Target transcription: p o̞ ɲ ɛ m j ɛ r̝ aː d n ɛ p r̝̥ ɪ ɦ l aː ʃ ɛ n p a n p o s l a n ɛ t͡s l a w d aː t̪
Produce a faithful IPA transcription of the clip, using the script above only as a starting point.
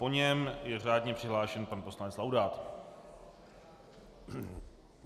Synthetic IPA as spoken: p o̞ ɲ ɛ m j ɛ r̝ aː d ɲ ɛ p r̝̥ ɪ ɦ l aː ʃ ɛ n p a n p o s l a n ɛ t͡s l a w d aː t̪